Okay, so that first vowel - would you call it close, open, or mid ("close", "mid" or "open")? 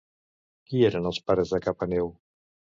close